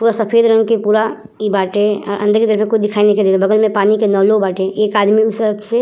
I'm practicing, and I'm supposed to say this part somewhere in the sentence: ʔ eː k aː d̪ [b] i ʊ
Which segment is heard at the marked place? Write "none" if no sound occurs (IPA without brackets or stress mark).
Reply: m